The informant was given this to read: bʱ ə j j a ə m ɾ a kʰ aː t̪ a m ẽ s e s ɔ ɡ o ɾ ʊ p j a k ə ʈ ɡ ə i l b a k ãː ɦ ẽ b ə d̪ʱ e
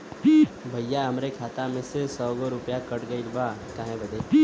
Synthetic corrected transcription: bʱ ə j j a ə m ɾ e kʰ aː t̪ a m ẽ s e s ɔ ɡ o ɾ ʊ p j a k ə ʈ ɡ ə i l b a k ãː ɦ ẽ b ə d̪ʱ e